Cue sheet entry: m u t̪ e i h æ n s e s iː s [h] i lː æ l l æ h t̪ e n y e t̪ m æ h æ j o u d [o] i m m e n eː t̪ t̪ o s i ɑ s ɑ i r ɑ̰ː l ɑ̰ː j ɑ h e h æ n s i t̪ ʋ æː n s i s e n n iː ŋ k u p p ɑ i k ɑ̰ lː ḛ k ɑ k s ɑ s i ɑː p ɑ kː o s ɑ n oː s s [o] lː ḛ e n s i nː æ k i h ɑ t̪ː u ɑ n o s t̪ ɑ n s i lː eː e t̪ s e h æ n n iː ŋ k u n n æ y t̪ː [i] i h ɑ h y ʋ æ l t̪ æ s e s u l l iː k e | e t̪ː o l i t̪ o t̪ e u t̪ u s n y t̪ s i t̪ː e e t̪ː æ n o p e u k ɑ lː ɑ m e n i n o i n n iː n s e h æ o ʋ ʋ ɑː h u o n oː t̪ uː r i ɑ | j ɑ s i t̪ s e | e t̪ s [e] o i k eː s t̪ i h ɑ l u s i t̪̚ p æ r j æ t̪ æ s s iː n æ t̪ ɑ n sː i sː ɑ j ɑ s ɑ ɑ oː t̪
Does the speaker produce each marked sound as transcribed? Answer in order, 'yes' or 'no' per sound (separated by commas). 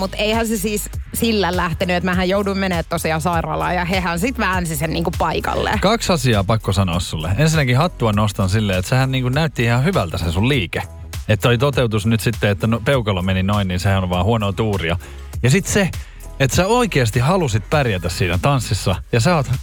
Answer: no, no, no, yes, no